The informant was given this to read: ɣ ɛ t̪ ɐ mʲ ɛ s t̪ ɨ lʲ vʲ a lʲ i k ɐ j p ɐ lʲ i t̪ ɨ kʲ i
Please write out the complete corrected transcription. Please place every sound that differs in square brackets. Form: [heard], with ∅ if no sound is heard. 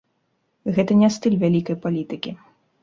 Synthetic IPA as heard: ɣ ɛ t̪ ɐ [nʲ] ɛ s t̪ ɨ lʲ vʲ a lʲ i k ɐ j p [a] lʲ i t̪ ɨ kʲ i